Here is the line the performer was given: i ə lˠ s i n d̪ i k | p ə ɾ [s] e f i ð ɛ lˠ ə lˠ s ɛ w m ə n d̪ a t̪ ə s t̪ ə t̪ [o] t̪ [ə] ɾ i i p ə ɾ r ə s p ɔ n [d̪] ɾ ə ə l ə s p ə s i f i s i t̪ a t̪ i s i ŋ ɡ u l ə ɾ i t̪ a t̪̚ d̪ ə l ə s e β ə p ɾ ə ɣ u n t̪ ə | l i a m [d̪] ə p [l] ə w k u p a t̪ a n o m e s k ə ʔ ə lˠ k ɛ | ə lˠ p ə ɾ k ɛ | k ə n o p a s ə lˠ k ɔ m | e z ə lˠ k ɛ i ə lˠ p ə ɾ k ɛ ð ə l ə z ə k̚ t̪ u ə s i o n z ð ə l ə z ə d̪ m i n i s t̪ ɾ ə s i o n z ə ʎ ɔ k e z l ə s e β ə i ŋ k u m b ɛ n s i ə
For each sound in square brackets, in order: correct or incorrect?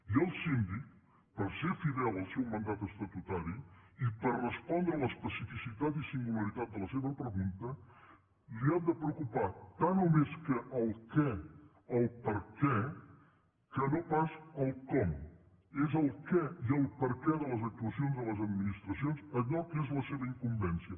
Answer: correct, incorrect, incorrect, correct, correct, incorrect

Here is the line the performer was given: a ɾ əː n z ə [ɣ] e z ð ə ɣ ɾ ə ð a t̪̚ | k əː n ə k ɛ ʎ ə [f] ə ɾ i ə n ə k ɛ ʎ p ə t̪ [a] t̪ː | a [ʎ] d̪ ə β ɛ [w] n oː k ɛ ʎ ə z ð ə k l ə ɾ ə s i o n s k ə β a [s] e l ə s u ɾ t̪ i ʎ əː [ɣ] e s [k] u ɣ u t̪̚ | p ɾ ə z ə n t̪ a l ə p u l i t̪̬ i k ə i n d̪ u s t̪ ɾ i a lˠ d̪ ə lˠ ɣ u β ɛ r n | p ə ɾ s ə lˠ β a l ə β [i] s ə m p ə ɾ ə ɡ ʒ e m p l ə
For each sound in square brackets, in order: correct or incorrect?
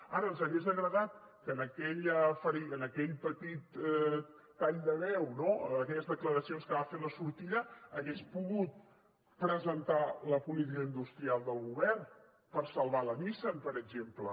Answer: correct, correct, incorrect, correct, correct, incorrect, correct, incorrect, correct

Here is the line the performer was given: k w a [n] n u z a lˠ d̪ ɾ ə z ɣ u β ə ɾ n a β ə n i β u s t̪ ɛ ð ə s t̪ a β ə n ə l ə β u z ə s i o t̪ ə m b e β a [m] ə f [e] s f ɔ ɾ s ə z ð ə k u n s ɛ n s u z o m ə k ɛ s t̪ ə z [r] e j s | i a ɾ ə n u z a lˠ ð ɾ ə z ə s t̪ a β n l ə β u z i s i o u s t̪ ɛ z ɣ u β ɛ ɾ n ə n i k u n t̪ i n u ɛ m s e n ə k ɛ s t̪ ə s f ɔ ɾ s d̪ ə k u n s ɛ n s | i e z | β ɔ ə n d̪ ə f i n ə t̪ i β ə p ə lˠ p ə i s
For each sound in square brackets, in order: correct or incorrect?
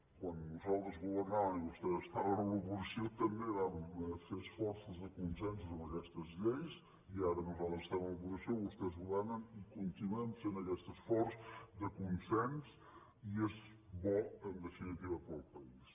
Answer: correct, correct, correct, incorrect

